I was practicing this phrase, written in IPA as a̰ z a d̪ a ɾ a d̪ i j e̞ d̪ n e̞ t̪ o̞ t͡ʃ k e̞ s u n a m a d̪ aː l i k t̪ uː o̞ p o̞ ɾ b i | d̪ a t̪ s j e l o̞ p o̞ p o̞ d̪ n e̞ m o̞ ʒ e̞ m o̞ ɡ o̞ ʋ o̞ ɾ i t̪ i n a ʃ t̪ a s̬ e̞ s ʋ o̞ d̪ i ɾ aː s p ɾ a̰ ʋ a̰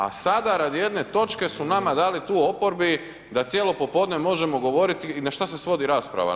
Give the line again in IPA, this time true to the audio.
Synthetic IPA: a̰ s a d̪ a ɾ a d̪ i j e̞ d̪ n e̞ t̪ o̞ t͡ʃ k e̞ s u n a m a d̪ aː l i t̪ uː o̞ p o̞ ɾ b i | d̪ a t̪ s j e l o̞ p o̞ p o̞ d̪ n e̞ m o̞ ʒ e̞ m o̞ ɡ o̞ ʋ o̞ ɾ i t̪ i n a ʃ t̪ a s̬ e̞ s ʋ o̞ d̪ i ɾ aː s p ɾ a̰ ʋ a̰